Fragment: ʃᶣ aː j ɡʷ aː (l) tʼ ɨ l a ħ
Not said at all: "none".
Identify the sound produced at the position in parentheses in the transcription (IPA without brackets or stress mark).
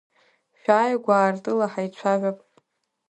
r